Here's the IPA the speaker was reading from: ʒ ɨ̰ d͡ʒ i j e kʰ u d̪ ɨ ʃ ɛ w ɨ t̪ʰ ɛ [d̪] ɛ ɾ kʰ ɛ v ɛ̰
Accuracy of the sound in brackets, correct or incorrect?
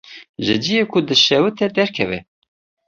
correct